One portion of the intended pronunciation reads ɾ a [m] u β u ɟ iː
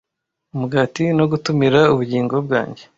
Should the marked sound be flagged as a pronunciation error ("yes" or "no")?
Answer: yes